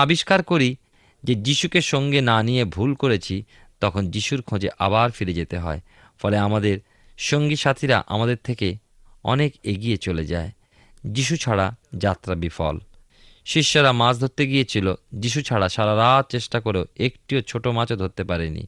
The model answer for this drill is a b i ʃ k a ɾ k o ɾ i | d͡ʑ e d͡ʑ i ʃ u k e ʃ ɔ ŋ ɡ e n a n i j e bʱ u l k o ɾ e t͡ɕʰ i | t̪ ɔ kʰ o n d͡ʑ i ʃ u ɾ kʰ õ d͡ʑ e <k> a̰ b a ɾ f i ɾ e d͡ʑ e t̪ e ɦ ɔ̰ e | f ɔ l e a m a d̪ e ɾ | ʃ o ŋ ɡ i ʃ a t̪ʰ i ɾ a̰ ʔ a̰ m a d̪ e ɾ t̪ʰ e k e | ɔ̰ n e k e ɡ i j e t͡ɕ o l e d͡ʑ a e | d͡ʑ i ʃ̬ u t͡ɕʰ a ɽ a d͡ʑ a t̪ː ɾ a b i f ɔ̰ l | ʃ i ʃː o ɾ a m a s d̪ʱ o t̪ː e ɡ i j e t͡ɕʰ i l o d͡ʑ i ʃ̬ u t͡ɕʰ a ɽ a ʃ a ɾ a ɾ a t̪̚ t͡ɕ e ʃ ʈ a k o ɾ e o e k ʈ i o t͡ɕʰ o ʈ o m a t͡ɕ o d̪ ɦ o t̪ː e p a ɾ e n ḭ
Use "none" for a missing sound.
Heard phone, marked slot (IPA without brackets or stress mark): ʔ